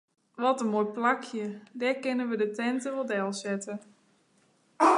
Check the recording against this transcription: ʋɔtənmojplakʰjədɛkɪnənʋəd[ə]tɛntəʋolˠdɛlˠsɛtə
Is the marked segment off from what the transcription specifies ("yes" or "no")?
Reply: no